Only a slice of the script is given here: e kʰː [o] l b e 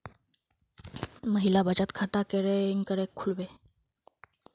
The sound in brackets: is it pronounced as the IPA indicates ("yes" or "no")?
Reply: no